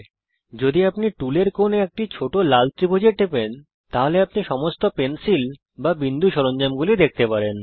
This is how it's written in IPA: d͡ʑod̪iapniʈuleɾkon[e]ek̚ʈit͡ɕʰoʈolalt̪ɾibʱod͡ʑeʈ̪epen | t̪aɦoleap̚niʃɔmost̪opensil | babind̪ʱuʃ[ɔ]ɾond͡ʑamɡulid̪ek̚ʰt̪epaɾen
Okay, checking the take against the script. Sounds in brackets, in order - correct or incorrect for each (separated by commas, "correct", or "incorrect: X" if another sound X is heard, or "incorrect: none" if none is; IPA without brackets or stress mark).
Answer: correct, correct